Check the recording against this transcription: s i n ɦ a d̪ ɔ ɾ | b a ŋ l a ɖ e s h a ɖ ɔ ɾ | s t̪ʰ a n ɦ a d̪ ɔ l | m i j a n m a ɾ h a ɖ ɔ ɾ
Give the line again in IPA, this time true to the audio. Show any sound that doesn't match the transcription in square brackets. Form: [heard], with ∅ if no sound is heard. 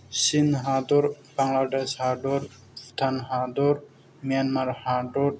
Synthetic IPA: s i n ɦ a d̪ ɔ ɾ | b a ŋ l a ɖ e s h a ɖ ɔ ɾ | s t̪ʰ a n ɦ a d̪ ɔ [ɾ] | m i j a n m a ɾ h a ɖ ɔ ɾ